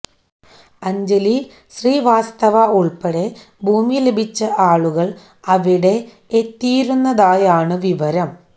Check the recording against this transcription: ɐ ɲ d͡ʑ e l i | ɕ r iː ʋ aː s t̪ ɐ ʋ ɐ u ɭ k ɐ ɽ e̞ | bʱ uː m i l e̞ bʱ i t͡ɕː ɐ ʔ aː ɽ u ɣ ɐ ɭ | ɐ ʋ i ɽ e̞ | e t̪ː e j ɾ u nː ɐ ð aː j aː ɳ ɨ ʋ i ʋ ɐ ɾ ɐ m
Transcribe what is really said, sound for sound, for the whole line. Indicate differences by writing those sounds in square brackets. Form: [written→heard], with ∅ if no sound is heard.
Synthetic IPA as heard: ɐ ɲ d͡ʑ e l i | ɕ r iː ʋ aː s t̪ ɐ ʋ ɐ u ɭ [k→p] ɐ ɽ e̞ | bʱ uː m i l e̞ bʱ i t͡ɕː ɐ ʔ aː [ɽ→ɭ] u ɣ ɐ ɭ | ɐ ʋ i ɽ e̞ | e t̪ː [e→i] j ɾ u nː ɐ ð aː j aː ɳ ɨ ʋ i ʋ ɐ ɾ ɐ m